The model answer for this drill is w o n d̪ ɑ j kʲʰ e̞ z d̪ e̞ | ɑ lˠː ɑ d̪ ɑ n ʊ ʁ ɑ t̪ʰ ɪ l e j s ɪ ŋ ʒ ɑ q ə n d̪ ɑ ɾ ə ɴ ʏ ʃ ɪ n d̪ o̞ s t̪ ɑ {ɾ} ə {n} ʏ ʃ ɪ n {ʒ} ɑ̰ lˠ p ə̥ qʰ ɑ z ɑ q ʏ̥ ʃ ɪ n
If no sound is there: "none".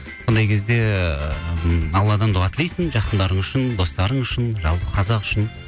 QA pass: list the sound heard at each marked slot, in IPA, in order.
ɾ, ɴ, ʒ

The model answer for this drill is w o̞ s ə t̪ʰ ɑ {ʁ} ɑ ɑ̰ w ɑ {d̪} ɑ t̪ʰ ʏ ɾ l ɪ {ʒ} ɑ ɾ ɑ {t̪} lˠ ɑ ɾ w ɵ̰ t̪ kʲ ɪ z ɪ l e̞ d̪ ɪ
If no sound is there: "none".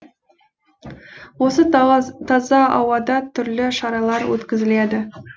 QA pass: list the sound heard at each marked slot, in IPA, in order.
z, d̪, ʃ, none

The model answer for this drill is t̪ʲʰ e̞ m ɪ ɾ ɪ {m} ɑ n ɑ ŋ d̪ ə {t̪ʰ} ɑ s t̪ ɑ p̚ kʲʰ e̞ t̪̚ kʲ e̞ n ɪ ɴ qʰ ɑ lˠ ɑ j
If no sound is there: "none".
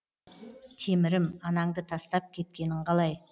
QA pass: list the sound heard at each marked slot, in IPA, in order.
m, t̪ʰ

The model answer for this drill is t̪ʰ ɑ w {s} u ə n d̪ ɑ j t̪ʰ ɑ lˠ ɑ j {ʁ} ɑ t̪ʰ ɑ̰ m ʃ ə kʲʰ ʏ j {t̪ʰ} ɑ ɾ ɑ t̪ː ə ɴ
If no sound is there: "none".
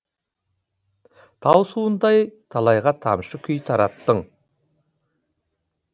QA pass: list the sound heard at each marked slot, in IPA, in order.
s, ʁ, t̪ʰ

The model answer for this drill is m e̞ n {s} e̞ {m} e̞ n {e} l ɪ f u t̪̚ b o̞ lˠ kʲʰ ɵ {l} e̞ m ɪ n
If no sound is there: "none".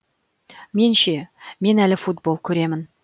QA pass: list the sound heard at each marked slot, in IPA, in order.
ʃ, m, æ, ɾ

